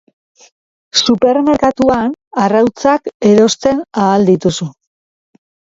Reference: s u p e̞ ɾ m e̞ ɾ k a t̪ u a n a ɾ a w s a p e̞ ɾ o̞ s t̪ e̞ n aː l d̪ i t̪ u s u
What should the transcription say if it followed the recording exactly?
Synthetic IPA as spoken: s u p e̞ ɾ m e̞ ɾ k a t̪ u a n a r a w t͡s a k e̞ ɾ o̞ s t̪ e̞ n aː l d̪ i t̪ u s u